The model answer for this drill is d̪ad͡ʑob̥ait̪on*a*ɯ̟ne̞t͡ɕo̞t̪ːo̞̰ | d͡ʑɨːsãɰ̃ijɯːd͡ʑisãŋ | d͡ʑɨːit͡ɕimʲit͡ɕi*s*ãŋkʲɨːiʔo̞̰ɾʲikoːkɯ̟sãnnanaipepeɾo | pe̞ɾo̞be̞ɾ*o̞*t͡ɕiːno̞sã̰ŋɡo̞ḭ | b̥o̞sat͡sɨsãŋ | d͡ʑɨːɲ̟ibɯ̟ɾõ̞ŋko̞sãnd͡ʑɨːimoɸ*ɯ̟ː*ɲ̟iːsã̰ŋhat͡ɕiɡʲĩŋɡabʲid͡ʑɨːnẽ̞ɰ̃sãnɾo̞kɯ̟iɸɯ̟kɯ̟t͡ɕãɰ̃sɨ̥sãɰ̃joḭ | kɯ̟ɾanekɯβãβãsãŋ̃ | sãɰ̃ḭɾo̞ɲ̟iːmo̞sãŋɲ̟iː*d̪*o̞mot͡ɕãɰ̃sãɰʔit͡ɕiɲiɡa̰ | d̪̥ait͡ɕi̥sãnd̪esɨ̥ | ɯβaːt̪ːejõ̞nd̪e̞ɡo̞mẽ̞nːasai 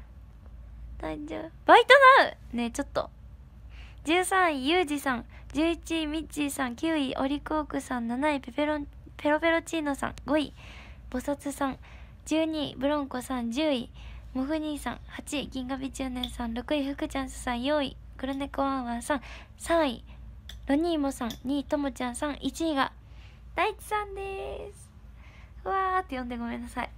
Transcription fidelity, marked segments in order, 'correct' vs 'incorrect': correct, correct, correct, incorrect, incorrect

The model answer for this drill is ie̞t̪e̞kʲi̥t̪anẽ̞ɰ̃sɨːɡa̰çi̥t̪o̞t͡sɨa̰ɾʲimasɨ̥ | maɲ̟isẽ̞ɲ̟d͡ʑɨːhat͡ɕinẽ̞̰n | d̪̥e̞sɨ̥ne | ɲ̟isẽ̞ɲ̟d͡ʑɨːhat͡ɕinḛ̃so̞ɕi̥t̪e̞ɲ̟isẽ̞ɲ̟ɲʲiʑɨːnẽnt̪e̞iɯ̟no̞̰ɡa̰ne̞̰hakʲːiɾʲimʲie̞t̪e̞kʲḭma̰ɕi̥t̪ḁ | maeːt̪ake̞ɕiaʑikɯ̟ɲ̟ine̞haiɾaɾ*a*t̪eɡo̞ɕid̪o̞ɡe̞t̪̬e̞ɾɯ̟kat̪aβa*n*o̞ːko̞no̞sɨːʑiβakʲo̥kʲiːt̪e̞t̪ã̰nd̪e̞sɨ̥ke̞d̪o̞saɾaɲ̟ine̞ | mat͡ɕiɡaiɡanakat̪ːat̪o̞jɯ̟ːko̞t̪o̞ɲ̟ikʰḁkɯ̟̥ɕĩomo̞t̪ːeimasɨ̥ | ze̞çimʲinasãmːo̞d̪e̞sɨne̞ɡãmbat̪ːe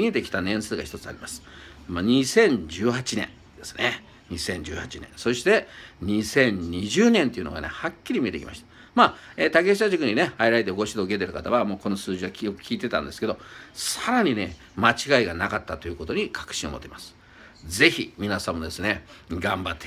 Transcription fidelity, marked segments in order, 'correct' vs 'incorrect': incorrect, incorrect

